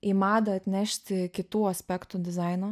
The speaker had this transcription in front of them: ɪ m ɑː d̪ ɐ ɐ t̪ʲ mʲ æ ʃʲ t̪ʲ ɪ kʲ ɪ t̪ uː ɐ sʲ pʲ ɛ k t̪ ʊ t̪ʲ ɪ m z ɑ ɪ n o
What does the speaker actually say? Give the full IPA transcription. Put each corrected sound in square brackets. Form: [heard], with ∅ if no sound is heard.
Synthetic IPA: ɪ m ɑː d̪ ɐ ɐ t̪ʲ [nʲ] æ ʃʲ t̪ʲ ɪ kʲ ɪ t̪ uː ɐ sʲ pʲ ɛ k t̪ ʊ [d̪ʲ] ɪ [∅] z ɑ ɪ n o